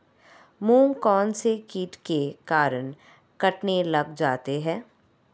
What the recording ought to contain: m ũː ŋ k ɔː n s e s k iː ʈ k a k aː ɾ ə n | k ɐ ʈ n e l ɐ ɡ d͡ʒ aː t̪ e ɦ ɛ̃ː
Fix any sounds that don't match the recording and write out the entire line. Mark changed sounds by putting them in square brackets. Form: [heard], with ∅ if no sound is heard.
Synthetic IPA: m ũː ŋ k ɔː n s e [∅] k iː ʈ k [e] k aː ɾ ə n | k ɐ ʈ n e l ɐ ɡ d͡ʒ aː t̪ e ɦ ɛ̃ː